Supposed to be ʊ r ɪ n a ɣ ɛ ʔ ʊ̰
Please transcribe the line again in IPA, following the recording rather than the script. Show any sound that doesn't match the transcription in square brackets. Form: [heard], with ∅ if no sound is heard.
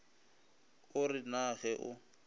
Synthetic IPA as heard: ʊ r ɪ n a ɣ ɛ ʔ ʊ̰